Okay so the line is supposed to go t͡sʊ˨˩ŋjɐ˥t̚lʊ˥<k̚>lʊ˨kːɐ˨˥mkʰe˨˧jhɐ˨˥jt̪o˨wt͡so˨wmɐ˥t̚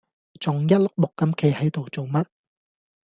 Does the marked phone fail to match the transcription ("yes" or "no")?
no